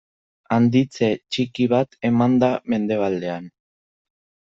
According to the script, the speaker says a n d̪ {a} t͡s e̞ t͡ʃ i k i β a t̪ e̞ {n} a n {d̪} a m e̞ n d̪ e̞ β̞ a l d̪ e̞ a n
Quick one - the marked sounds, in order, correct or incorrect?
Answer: incorrect, incorrect, correct

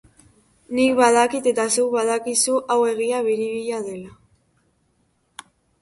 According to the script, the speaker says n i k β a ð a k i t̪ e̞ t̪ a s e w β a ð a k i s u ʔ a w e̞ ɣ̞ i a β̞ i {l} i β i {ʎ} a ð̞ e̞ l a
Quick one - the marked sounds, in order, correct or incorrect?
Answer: incorrect, correct

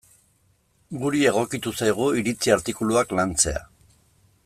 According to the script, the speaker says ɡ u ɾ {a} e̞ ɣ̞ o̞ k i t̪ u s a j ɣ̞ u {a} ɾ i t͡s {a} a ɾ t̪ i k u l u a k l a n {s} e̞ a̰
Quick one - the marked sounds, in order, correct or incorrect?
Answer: incorrect, incorrect, incorrect, incorrect

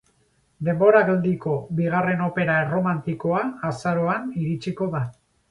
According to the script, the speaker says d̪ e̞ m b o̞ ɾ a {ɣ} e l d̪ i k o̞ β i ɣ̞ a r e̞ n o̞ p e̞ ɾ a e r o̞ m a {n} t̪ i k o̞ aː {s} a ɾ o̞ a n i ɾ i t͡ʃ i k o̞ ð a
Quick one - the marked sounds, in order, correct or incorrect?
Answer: correct, correct, correct

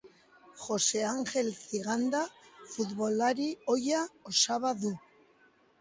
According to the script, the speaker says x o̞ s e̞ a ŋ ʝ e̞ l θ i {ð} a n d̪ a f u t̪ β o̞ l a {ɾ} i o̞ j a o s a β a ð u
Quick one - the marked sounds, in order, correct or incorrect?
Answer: incorrect, correct

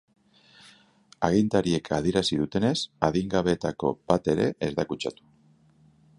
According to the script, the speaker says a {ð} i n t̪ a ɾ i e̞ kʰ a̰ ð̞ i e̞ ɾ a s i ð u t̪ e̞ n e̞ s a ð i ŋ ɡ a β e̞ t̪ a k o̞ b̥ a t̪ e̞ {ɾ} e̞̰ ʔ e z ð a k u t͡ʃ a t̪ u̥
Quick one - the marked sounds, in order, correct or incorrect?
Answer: incorrect, correct

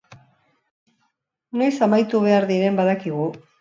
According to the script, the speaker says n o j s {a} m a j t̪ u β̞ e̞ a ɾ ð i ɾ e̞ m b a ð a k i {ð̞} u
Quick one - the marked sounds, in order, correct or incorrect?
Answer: correct, incorrect

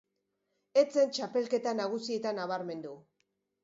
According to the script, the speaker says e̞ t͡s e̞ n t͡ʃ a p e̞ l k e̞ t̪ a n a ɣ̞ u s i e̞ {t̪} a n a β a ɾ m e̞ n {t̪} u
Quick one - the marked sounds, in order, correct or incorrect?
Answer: correct, incorrect

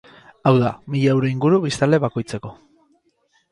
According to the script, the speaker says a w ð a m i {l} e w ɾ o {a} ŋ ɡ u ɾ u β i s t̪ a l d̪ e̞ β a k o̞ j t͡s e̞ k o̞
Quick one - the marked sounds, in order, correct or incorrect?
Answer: incorrect, incorrect

